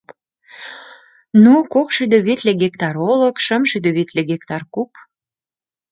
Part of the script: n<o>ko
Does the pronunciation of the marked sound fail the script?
yes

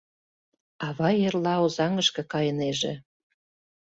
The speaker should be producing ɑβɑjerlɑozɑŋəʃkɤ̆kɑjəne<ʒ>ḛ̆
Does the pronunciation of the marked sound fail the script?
no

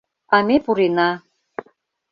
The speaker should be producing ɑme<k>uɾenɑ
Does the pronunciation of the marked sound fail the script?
yes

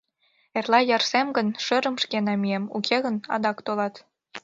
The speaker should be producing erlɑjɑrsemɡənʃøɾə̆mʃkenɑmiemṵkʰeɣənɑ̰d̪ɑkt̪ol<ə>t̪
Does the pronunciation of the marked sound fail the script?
yes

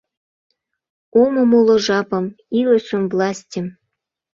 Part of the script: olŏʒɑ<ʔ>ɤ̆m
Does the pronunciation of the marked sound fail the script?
yes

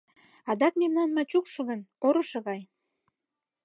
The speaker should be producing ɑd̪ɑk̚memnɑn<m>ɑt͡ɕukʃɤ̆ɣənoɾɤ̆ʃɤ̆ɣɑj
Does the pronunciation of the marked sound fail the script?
no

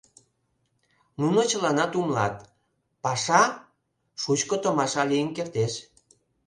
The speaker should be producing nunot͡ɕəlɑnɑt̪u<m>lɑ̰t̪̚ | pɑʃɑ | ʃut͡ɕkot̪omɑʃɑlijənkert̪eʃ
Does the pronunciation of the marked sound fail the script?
no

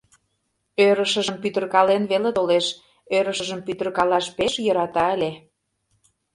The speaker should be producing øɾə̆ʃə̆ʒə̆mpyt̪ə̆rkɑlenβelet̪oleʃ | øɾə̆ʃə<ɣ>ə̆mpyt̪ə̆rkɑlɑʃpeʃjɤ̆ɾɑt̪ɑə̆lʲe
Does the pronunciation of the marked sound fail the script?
yes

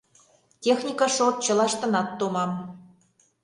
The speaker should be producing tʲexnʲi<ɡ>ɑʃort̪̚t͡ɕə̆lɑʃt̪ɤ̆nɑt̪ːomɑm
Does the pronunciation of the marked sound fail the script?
yes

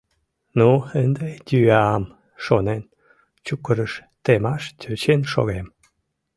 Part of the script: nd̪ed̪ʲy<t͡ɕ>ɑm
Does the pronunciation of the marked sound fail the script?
yes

